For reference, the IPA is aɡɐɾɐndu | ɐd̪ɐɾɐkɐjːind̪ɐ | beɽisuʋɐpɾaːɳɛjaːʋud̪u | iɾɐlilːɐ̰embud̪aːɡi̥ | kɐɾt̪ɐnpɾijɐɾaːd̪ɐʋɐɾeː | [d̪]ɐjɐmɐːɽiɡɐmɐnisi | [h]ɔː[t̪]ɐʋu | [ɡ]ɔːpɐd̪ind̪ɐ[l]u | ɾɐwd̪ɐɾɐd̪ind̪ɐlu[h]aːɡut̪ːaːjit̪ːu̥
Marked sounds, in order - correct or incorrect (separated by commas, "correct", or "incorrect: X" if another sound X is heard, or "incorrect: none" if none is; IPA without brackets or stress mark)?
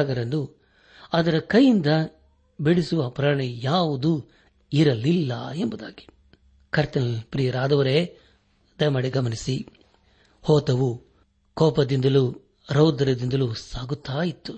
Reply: correct, correct, correct, incorrect: k, correct, incorrect: s